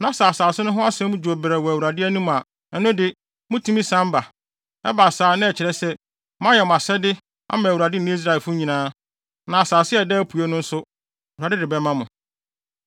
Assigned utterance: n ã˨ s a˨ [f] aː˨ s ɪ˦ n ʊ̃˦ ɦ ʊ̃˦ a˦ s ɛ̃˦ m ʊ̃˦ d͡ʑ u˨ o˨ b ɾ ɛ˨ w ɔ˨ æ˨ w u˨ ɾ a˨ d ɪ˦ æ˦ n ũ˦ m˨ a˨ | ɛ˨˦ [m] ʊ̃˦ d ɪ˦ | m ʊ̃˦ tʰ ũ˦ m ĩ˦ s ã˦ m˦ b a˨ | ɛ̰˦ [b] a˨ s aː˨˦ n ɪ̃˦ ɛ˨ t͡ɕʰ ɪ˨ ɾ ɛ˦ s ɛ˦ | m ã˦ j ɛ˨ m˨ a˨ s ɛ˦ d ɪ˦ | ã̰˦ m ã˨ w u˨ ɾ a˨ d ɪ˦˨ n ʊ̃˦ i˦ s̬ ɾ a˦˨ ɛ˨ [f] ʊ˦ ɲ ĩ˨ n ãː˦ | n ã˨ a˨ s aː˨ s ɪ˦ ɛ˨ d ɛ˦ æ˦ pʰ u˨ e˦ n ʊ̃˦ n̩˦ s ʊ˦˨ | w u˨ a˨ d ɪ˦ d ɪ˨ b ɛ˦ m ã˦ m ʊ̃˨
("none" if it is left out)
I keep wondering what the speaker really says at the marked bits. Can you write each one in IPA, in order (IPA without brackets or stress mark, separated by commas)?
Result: s, n, b, f